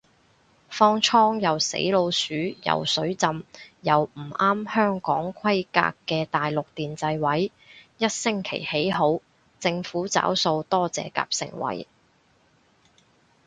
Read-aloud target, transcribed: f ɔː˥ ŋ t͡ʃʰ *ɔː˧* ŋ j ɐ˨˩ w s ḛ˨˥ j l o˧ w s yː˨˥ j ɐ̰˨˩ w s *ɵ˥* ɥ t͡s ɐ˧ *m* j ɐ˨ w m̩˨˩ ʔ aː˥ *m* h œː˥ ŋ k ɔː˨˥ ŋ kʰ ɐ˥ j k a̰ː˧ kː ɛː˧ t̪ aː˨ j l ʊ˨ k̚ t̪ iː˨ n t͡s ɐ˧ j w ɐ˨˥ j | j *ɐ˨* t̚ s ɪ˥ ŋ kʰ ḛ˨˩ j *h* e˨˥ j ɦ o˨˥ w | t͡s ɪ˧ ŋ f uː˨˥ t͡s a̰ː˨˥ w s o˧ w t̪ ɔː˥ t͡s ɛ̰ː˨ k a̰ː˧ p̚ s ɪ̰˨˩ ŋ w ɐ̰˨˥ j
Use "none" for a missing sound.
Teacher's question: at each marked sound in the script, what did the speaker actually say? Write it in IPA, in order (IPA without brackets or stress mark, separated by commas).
ɔː˥, ɵ˨˥, m, m, ɐ˥, h